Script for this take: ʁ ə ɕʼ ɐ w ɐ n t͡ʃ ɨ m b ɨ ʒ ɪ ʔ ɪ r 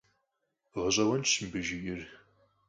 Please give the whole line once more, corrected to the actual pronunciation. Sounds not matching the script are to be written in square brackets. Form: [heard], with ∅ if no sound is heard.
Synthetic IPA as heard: ʁ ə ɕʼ ɐ w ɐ n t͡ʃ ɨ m b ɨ ʒ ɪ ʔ ɪ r